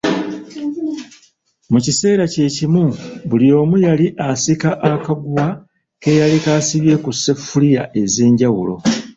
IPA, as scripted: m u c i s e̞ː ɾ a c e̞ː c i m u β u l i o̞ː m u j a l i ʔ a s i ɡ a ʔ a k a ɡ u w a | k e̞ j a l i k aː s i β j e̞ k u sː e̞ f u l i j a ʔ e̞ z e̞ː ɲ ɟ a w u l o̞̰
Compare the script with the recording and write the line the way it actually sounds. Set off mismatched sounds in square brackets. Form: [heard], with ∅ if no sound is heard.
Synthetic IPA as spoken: m u c i s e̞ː ɾ a c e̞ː c i m u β u l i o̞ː m u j a l i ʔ a s i [k] a ʔ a k a ɡ u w a | k e̞ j a l i k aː s i β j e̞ k u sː e̞ f u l i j a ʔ e̞ z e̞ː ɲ ɟ a w u l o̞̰